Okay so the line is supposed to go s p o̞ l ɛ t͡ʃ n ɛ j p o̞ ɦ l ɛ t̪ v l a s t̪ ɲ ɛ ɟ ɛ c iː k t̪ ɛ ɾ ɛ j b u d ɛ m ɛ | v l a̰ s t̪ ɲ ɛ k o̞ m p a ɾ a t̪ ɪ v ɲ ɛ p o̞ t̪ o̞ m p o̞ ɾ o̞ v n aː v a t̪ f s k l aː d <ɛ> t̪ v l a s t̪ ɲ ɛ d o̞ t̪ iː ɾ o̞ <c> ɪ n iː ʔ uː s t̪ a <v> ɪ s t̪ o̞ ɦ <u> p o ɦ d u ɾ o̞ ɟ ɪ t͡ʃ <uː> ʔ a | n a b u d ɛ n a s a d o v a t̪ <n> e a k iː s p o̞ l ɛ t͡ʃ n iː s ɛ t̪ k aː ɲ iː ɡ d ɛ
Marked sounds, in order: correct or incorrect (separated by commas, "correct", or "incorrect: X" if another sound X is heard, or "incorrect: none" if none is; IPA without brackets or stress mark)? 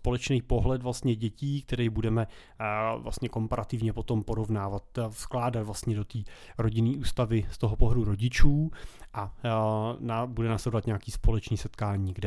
incorrect: a, incorrect: ɟ, correct, incorrect: o, correct, incorrect: ɲ